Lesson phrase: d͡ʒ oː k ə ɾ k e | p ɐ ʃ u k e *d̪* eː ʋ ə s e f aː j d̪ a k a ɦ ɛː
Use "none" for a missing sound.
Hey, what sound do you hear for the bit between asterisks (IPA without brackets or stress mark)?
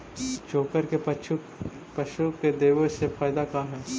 d̪